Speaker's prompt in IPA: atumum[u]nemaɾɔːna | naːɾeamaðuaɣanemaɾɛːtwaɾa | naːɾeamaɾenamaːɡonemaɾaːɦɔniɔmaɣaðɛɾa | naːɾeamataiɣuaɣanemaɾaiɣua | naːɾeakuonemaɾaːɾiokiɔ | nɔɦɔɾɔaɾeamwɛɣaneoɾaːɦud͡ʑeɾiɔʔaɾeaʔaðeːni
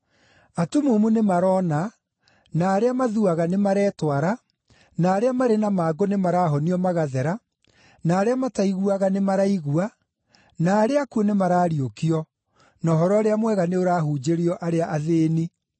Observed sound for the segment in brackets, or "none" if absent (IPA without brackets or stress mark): u